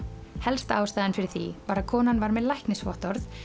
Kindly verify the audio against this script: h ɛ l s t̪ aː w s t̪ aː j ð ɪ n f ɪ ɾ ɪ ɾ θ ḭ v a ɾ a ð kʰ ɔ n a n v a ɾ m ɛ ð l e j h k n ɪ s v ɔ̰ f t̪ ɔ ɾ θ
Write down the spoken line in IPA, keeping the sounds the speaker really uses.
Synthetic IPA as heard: h ɛ l s t̪ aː w s t̪ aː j ð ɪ n f ɪ ɾ ɪ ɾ θ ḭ v a ɾ a ð kʰ ɔː n a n v a ɾ m ɛ ð l a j h k n ɪ s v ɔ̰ h t̪ ɔ ɾ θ